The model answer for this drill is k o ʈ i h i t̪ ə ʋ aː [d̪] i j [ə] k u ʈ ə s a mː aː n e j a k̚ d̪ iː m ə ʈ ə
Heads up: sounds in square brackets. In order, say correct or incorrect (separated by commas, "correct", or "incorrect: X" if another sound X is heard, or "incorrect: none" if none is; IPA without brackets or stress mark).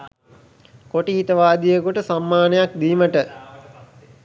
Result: correct, correct